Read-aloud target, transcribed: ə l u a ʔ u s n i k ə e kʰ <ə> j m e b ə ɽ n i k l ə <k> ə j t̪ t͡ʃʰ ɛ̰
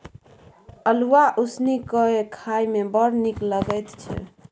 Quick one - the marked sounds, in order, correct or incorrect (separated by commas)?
incorrect, incorrect